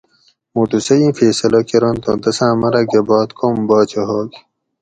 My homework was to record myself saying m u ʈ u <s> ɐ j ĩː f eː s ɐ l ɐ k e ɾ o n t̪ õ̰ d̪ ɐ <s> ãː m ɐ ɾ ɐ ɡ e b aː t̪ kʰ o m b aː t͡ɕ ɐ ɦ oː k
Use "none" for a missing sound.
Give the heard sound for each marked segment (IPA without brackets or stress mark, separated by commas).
s, s